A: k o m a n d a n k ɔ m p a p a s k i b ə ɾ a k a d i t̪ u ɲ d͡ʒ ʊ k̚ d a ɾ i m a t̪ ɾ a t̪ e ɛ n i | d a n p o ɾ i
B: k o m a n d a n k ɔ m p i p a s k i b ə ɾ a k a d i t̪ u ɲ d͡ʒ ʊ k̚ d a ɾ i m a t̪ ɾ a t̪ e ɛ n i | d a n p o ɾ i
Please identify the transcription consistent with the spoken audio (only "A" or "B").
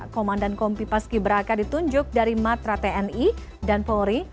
B